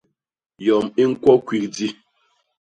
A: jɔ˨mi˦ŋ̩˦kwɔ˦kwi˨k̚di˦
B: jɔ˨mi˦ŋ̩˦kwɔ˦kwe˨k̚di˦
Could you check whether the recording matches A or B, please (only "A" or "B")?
A